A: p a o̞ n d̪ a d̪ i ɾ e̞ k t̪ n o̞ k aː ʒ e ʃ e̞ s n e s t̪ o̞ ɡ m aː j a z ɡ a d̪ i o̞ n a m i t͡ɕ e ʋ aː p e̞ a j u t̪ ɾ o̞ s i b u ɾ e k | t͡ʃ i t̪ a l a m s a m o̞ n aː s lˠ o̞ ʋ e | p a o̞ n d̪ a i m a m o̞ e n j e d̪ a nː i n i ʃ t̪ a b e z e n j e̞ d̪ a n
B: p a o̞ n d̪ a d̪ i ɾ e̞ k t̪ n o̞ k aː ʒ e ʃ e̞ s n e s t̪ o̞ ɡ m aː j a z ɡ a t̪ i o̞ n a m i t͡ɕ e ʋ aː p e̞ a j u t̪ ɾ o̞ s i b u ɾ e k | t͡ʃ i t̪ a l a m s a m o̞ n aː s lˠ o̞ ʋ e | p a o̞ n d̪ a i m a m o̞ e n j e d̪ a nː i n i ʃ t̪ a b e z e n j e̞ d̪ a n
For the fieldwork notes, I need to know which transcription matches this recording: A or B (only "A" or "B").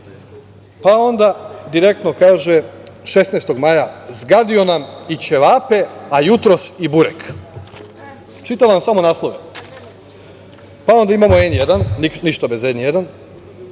A